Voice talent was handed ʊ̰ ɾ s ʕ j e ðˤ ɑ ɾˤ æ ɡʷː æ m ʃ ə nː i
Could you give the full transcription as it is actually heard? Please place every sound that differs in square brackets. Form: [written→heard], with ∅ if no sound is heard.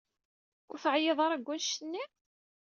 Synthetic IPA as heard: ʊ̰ ɾ [s→θ] ʕ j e ðˤ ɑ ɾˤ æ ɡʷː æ [m→n] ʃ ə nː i